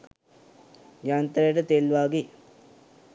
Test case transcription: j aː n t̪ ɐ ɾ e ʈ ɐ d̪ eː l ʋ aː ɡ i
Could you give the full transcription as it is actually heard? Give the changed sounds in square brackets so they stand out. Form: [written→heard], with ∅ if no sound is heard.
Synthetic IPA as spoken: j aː n t̪ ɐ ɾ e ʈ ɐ [d̪→t̪] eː l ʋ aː ɡ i